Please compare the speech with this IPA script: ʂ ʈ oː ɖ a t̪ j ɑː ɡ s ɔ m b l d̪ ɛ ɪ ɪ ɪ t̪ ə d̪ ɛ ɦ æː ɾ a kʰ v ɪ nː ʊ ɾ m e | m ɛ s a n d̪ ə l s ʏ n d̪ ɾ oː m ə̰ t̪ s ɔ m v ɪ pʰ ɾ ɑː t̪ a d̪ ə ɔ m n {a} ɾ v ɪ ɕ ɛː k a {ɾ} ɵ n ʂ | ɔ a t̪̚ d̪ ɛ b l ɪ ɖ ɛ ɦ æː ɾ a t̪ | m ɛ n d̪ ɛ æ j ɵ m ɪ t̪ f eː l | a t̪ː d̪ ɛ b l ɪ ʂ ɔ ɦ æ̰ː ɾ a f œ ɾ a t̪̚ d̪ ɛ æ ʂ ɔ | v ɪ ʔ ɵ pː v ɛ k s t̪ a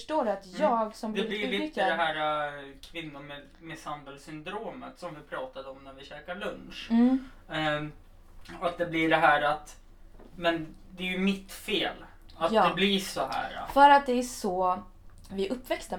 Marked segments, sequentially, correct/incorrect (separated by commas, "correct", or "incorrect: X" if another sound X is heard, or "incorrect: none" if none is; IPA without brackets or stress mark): incorrect: æ, incorrect: ɭ